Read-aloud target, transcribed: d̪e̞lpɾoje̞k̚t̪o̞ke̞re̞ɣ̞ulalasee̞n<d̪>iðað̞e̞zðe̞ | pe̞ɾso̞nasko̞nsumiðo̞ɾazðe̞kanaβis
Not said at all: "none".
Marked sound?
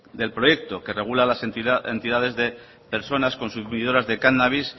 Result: t̪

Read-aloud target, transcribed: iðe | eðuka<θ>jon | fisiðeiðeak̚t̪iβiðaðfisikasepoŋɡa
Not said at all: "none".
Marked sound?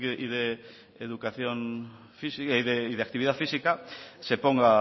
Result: θ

